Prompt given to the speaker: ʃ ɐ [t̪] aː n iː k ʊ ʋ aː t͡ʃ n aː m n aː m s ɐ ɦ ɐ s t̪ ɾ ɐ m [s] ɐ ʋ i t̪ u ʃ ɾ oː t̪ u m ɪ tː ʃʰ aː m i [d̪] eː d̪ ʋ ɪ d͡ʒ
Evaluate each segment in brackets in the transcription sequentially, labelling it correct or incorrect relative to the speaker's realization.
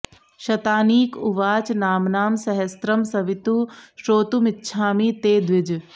correct, correct, incorrect: t̪

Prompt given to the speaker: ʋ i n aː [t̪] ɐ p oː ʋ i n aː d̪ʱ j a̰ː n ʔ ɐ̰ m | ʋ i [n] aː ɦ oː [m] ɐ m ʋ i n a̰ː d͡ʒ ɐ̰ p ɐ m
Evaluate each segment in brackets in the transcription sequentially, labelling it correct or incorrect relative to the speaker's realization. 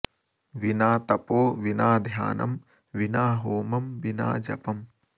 correct, correct, correct

